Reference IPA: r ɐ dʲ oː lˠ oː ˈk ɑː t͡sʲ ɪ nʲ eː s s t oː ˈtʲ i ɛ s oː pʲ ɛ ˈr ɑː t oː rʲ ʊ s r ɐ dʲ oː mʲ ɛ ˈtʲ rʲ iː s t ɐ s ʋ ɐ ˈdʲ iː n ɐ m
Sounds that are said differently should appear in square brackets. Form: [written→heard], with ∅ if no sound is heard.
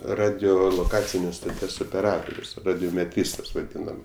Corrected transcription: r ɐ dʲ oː lˠ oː ˈk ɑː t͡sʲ ɪ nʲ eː s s t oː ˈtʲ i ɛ s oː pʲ ɛ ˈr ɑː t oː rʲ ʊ s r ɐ dʲ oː mʲ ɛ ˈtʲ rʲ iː s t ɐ s ʋ ɐ ˈdʲ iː n ɐ m